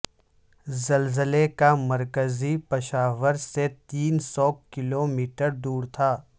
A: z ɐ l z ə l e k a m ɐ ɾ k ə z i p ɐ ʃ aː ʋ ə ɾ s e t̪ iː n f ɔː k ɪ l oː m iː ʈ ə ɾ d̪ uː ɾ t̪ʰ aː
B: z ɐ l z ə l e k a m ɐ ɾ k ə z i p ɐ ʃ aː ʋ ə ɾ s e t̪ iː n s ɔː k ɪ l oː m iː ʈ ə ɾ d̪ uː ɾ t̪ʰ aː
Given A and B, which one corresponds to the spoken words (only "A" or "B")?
B